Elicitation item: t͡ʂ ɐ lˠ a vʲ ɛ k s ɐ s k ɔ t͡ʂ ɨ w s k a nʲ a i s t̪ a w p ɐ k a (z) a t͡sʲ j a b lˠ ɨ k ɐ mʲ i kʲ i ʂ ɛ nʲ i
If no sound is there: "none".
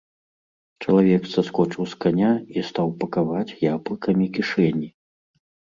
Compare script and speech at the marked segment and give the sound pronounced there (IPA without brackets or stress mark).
v